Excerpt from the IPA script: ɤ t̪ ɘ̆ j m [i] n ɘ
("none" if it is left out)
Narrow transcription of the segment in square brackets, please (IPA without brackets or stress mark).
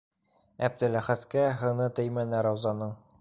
æ